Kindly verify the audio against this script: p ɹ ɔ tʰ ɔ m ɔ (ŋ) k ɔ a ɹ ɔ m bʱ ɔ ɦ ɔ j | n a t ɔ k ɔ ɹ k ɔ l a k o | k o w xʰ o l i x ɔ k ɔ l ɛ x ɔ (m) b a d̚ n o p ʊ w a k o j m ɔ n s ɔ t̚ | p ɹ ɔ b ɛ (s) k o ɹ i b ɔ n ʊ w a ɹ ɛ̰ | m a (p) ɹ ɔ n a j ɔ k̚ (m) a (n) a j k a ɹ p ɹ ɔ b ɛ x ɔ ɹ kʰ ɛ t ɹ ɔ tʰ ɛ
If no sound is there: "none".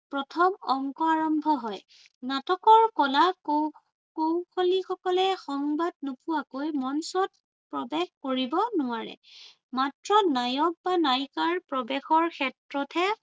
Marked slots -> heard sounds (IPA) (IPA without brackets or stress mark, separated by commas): ŋ, ŋ, x, t, b, n